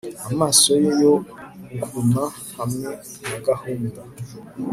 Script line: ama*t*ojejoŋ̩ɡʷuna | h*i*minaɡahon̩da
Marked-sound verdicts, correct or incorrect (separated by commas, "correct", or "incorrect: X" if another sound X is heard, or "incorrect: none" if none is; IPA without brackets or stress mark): incorrect: s, incorrect: a